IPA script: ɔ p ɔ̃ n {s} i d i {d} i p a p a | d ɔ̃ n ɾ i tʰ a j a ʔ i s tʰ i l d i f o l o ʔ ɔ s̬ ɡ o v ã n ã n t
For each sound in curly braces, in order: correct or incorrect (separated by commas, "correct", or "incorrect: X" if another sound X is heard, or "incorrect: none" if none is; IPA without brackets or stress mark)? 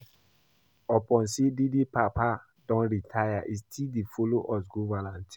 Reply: correct, correct